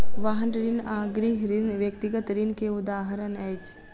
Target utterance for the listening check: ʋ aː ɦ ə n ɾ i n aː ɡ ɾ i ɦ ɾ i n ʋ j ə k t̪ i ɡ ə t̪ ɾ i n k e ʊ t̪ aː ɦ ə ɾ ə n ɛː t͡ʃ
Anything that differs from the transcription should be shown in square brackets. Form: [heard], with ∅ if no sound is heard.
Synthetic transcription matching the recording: ʋ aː ɦ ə n ɾ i n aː ɡ ɾ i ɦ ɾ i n ʋ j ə k t̪ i ɡ ə t̪ ɾ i n k e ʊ [d̪] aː ɦ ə ɾ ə n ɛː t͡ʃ